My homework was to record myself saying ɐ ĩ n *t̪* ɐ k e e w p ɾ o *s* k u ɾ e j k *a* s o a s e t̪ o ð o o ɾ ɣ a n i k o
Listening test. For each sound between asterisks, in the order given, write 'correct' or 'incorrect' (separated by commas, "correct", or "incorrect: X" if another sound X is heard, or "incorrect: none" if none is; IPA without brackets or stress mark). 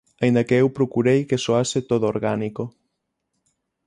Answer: incorrect: d̪, incorrect: none, incorrect: e